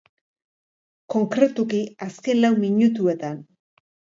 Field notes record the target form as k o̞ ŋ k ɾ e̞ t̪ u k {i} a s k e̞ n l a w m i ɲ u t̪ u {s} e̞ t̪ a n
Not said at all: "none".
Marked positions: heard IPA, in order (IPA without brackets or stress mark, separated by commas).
i, none